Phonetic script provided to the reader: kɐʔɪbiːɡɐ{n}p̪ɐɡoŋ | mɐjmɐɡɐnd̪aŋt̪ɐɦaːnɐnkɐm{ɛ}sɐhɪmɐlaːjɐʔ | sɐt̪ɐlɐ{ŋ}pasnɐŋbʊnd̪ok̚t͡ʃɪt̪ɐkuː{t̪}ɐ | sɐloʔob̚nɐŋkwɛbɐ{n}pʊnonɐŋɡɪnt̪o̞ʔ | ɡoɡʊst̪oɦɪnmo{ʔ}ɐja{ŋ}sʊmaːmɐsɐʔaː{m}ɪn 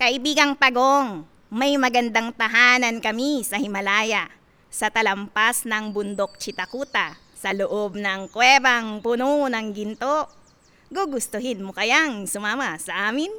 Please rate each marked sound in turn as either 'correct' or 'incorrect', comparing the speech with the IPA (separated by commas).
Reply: incorrect, incorrect, incorrect, correct, incorrect, incorrect, correct, correct